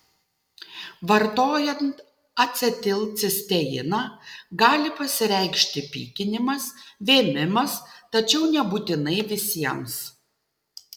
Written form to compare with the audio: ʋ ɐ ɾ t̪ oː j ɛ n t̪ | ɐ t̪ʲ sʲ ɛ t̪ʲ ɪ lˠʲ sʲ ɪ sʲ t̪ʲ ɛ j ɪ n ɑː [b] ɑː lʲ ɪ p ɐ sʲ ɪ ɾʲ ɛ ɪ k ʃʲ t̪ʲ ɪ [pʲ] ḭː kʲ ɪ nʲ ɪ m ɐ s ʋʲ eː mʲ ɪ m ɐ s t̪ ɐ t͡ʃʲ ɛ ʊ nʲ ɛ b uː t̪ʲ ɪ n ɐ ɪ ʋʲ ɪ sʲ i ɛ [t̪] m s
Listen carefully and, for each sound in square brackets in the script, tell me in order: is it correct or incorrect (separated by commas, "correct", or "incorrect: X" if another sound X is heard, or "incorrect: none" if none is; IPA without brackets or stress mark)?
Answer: incorrect: ɡ, correct, incorrect: none